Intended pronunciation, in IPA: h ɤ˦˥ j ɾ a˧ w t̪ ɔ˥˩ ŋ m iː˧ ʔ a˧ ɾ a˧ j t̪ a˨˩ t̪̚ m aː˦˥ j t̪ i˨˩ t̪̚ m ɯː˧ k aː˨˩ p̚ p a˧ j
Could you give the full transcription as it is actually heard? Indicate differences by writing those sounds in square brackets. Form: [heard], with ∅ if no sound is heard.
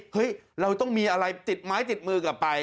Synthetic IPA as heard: h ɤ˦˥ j ɾ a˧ w t̪ ɔ˥˩ ŋ m iː˧ ʔ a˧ ɾ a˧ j t̪ [i˨˩] t̪̚ m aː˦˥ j t̪ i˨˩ t̪̚ m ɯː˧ k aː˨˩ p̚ p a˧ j